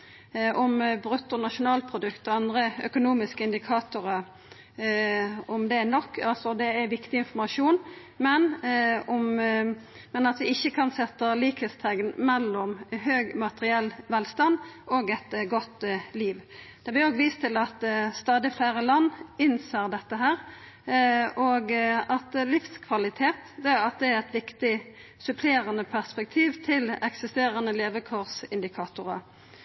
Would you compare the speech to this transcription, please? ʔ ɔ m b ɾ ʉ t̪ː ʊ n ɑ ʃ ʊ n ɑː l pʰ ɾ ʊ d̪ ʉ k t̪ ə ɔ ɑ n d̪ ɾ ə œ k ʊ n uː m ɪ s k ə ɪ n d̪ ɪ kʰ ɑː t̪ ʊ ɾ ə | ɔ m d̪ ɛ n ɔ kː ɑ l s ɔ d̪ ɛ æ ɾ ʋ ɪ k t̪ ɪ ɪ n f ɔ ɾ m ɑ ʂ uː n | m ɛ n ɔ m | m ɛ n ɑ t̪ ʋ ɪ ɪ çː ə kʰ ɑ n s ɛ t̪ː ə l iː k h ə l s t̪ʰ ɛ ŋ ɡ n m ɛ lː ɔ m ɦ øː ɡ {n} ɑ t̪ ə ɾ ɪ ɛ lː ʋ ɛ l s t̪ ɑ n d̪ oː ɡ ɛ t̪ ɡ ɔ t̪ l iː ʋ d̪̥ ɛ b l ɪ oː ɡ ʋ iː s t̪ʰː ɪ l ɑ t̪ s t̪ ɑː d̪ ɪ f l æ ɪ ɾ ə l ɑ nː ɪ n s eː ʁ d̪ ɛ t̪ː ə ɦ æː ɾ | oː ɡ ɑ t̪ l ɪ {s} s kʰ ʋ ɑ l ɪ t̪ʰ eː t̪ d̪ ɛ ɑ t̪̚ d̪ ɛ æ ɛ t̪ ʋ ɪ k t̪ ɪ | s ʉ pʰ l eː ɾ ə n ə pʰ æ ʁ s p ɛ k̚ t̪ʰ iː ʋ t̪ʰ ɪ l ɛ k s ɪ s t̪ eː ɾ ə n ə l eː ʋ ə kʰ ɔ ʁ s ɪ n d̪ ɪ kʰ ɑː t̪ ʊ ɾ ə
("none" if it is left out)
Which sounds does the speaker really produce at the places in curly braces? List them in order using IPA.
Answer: m, f

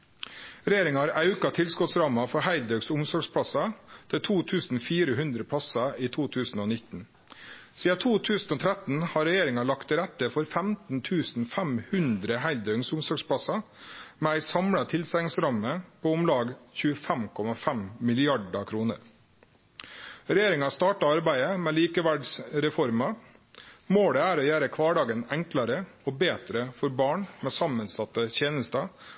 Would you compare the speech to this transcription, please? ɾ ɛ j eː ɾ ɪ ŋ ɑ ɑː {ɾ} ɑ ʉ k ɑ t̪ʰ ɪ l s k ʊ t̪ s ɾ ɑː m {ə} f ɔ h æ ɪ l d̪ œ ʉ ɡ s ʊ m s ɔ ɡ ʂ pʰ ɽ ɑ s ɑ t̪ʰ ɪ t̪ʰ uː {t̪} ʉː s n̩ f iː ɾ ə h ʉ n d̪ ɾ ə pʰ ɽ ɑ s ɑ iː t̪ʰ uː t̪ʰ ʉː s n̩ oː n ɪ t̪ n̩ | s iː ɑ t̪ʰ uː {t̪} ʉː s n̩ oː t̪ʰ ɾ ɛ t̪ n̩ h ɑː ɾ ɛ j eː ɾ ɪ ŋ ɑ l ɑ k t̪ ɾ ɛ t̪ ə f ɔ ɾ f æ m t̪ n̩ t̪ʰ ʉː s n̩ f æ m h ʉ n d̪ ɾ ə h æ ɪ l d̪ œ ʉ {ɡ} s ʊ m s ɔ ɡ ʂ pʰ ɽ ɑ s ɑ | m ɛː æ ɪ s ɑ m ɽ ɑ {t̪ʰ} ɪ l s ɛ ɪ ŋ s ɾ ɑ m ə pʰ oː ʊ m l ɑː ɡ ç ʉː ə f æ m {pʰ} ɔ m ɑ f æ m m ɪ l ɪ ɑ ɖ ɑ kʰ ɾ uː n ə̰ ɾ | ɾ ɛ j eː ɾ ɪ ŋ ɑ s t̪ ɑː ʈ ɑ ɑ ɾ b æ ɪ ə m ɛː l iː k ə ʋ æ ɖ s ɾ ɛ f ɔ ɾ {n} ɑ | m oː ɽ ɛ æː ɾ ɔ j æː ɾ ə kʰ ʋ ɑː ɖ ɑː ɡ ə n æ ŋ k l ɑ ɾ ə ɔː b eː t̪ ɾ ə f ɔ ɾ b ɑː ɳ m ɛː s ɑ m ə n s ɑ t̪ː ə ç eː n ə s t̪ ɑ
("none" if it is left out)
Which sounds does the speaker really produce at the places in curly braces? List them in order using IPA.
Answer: ɾ, ɑ, t̪ʰ, t̪ʰ, ŋ, t̪ʰ, kʰ, m

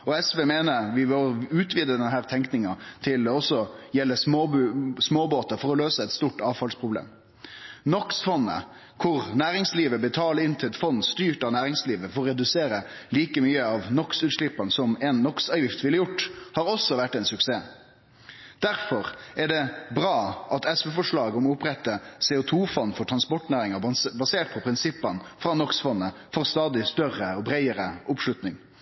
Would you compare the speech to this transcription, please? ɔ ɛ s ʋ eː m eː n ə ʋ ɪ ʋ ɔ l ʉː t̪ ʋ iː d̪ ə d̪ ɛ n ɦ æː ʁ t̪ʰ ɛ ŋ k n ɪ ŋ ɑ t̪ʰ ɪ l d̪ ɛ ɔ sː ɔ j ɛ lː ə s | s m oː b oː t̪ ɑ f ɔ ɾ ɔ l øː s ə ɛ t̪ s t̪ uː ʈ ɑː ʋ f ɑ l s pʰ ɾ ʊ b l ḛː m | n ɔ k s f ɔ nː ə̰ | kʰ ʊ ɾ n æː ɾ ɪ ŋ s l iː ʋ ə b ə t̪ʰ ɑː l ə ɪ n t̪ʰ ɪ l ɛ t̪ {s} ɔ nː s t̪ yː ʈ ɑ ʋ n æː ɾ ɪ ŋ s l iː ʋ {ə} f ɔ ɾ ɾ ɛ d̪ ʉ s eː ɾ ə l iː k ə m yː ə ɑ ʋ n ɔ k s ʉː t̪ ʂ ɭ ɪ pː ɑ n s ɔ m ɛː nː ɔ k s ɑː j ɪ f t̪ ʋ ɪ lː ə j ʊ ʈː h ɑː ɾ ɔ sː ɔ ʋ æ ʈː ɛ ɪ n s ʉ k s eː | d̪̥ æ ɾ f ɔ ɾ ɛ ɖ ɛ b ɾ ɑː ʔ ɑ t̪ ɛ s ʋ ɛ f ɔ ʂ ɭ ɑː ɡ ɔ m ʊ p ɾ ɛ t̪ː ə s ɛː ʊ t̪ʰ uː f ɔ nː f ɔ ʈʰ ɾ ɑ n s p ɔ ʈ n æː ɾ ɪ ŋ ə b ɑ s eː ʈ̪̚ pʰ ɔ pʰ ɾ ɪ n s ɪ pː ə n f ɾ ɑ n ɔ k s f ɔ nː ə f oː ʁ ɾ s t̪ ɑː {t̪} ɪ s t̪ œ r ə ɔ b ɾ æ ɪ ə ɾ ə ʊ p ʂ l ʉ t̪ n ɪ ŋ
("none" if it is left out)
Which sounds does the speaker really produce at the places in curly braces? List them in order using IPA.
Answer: f, ə, d̪

